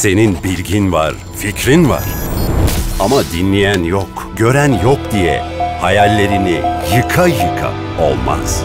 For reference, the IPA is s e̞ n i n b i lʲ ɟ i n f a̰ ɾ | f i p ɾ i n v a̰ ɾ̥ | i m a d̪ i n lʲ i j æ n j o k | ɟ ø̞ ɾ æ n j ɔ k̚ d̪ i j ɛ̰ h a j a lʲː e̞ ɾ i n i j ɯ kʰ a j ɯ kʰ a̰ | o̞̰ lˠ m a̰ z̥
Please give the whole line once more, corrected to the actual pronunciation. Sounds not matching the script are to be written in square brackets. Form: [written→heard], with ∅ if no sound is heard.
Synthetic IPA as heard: s e̞ n i n b i lʲ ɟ i n [f→v] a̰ ɾ | f i [p→c] ɾ i n v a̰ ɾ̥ | [i→a] m a d̪ i n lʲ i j æ n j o k | ɟ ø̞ ɾ æ n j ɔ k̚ d̪ i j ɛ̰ h a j a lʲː e̞ ɾ i n i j ɯ kʰ a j ɯ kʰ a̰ | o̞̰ lˠ m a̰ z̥